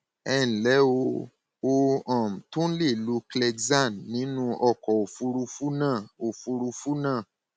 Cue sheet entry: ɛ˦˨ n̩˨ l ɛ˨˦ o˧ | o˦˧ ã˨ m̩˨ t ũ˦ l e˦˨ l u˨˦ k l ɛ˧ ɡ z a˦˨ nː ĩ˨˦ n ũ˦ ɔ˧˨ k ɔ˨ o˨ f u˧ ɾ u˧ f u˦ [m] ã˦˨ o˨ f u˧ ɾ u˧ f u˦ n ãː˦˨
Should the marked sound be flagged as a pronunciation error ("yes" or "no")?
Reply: yes